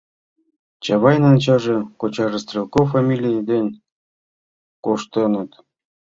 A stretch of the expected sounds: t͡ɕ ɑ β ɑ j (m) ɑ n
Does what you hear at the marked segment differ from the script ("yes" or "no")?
yes